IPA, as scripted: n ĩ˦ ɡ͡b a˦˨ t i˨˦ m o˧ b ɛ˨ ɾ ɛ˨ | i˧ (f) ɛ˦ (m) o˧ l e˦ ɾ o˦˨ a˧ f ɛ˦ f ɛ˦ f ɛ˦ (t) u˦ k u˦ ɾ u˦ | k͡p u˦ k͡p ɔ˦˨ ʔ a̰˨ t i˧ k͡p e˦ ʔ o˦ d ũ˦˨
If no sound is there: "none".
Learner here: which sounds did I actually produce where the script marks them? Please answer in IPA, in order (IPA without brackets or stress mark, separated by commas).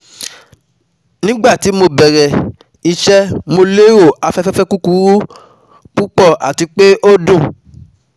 ʃ, m, k